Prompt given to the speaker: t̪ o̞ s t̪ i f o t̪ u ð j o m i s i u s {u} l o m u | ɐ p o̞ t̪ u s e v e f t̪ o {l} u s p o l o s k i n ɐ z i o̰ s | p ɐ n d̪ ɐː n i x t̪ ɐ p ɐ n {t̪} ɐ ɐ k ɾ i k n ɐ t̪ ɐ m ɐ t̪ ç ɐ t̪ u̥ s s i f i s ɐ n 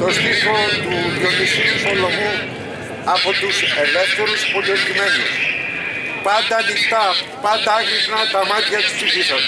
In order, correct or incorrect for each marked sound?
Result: incorrect: o, incorrect: ɾ, incorrect: d̪

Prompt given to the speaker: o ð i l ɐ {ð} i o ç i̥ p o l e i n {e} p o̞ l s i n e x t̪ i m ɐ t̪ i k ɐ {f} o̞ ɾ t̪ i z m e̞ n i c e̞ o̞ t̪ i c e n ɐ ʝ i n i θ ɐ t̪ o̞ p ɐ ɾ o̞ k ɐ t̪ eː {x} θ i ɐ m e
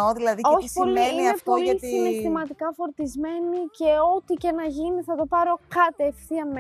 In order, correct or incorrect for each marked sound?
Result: correct, correct, correct, incorrect: f

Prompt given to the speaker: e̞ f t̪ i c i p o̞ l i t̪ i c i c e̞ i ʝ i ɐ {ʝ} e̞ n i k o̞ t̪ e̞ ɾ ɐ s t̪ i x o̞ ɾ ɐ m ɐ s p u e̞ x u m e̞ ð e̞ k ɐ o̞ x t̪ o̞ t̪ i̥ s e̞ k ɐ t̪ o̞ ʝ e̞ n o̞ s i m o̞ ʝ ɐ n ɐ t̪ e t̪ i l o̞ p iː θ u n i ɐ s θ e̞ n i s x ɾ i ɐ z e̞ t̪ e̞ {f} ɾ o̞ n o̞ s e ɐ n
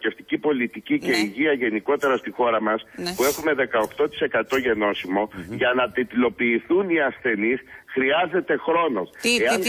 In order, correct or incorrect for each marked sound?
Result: correct, incorrect: x

